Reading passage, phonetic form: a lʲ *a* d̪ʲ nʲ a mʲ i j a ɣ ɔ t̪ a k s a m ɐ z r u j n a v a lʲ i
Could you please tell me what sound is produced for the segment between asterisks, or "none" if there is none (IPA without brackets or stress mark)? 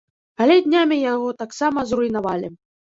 ɛ